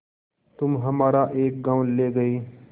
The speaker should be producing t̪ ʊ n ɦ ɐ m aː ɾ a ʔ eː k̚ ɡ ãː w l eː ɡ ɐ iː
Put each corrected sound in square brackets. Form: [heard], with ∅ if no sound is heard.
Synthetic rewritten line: t̪ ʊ [m] ɦ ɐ m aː ɾ a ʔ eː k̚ ɡ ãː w l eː ɡ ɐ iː